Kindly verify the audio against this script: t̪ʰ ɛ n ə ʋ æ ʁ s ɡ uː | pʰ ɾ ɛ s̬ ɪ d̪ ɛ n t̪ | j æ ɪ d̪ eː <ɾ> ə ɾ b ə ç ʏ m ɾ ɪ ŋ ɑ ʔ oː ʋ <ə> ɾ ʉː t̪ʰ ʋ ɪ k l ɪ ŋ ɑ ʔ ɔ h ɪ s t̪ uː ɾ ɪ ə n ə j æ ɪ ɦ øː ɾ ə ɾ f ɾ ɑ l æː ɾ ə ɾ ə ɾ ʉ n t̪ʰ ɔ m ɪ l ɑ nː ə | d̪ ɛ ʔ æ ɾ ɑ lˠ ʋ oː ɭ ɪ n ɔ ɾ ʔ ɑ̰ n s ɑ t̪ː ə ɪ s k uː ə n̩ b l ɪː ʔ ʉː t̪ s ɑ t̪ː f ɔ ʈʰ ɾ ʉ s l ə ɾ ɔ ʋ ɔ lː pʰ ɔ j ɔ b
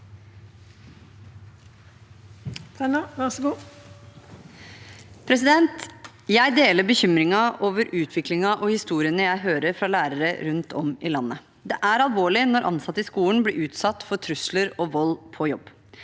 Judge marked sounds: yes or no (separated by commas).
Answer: no, yes